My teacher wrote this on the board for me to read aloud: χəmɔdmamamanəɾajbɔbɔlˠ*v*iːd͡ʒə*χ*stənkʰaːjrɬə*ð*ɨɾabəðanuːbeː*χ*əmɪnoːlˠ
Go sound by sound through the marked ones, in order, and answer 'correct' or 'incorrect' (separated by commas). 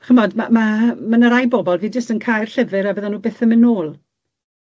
correct, incorrect, incorrect, incorrect